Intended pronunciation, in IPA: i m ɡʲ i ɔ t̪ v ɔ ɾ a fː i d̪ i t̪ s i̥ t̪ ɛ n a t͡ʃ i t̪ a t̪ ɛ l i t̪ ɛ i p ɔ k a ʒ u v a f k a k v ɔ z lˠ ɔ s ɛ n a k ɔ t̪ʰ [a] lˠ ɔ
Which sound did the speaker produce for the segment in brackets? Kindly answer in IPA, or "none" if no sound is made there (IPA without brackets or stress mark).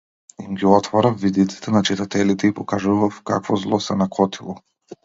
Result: i